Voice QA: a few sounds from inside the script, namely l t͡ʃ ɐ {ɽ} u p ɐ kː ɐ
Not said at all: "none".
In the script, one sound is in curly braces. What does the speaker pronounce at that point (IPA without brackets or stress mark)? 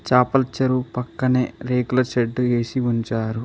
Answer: ɾ